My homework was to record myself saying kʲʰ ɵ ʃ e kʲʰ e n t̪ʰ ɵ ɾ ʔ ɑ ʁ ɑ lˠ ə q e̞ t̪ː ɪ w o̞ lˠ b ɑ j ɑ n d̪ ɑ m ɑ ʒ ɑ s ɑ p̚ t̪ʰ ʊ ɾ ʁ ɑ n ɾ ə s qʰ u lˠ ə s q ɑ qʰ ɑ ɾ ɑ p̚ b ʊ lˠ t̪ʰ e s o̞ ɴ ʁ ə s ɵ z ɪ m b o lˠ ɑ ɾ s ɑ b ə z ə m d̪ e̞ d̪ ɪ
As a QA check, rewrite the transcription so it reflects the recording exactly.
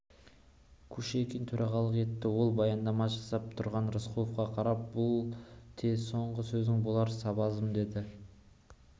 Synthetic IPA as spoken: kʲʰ ɵ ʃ e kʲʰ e n t̪ʰ ɵ ɾ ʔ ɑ ʁ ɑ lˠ ə q e̞ t̪ː ɪ w o̞ lˠ b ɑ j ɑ n d̪ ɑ m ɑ ʒ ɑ s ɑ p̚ t̪ʰ ʊ ɾ ʁ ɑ n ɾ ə s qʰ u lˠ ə f q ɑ qʰ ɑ ɾ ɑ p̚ b ʊ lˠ t̪ʰ e s o̞ ɴ ʁ ə s ɵ z ɪ ŋ b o lˠ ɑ ɾ s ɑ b ɑ z ə m d̪ e̞ d̪ ɪ